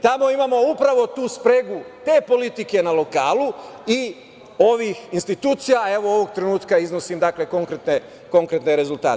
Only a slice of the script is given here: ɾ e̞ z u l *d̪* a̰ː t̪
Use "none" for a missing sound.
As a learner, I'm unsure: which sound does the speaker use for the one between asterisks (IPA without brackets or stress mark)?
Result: t̪